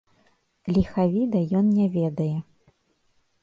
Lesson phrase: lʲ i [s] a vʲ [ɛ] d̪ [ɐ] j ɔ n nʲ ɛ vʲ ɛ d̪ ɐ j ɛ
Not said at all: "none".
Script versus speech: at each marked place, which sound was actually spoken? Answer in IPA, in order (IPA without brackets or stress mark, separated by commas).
x, i, ɐ